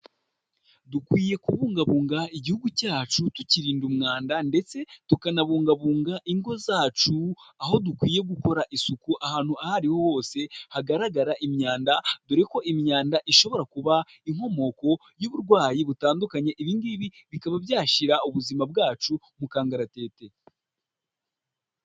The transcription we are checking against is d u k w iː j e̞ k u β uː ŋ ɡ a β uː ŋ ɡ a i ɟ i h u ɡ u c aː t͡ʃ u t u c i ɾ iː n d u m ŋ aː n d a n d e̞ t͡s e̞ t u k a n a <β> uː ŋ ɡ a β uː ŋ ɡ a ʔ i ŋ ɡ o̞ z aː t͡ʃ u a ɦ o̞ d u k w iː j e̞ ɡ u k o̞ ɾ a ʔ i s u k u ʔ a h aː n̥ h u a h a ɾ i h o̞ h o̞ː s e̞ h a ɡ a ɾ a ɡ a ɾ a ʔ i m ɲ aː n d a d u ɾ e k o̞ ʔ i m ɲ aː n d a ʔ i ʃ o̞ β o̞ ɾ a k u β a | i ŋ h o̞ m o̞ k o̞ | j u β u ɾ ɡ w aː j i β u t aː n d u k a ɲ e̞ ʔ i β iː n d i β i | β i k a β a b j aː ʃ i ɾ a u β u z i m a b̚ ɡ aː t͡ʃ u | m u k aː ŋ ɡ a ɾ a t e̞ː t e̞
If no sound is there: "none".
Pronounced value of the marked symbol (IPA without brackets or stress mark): β